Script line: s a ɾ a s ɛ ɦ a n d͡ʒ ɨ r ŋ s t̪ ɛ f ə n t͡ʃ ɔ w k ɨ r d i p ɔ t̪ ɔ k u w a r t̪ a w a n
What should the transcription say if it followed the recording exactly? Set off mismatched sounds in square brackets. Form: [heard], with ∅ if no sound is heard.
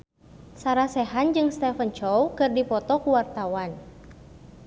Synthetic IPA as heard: s a ɾ a s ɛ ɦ a n d͡ʒ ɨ [∅] ŋ s t̪ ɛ f ə n t͡ʃ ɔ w k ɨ r d i p ɔ t̪ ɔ k u w a r t̪ a w a n